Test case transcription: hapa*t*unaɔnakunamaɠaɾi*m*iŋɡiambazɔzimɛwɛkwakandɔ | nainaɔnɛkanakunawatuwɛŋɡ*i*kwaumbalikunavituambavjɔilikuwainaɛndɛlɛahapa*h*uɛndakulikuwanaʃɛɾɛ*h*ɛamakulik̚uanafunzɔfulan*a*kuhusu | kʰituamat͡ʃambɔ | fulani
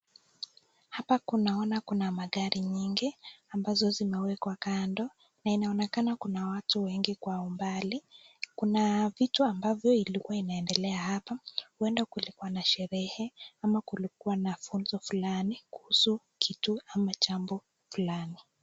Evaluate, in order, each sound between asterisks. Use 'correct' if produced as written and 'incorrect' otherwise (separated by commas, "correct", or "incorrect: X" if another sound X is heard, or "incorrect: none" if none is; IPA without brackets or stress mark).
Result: incorrect: k, incorrect: ɲ, correct, correct, correct, incorrect: i